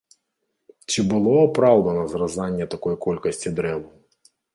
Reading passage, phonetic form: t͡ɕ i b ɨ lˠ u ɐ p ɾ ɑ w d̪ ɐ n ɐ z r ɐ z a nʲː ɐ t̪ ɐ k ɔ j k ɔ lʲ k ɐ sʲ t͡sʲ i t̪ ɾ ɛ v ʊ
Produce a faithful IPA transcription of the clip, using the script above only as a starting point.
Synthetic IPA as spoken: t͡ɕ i b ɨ lˠ ɔ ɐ p ɾ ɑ w d̪ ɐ n ɐ z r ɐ z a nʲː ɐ t̪ ɐ k ɔ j k ɔ lʲ k ɐ sʲ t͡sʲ i d̪ ɾ ɛ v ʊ